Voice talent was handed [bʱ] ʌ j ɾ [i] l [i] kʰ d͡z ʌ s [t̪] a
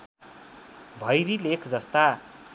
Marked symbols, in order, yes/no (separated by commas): yes, yes, no, yes